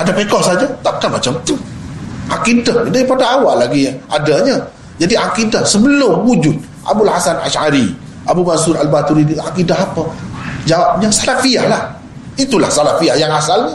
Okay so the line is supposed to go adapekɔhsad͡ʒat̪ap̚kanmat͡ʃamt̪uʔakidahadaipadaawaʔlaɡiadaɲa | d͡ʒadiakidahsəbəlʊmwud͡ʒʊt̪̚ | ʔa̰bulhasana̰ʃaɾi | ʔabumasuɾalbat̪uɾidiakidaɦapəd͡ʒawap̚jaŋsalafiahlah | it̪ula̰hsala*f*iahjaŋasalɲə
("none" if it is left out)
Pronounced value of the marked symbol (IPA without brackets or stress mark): f